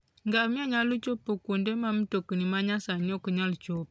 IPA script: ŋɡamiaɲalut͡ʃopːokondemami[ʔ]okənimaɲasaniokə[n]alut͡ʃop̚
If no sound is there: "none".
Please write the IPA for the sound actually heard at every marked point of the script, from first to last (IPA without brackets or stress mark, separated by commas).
t, ɲ